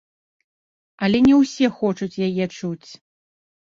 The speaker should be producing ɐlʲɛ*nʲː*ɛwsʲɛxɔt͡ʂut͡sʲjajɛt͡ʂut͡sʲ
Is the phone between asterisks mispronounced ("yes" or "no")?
yes